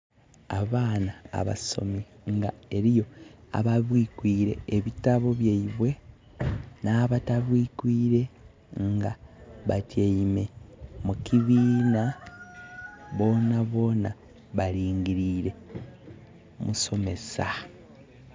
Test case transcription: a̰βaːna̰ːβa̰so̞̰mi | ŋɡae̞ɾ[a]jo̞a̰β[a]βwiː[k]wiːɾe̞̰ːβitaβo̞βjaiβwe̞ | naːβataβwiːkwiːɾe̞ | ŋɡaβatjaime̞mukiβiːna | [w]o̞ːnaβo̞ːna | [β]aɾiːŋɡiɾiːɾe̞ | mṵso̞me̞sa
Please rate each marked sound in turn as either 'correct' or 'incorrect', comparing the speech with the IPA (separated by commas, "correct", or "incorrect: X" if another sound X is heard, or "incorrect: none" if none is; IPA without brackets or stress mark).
incorrect: i, correct, correct, incorrect: β, correct